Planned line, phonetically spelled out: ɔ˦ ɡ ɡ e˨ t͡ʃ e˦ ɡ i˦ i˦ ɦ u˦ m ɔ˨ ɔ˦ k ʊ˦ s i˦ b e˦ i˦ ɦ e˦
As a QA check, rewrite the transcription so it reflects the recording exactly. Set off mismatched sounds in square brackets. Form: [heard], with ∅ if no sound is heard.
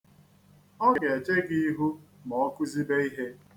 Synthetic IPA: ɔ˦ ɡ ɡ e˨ t͡ʃ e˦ ɡ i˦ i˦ ɦ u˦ m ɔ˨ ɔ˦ k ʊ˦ [z] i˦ b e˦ i˦ ɦ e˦